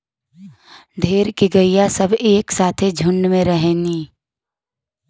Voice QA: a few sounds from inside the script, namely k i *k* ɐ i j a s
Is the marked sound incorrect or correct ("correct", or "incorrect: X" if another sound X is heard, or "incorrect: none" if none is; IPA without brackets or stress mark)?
incorrect: ɡ